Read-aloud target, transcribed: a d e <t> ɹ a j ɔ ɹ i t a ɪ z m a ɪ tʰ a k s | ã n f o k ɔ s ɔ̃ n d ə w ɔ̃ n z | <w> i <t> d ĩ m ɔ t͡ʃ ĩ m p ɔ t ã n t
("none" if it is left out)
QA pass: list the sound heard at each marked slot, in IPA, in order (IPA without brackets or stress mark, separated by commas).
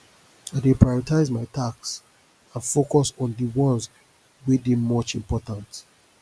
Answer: p, w, none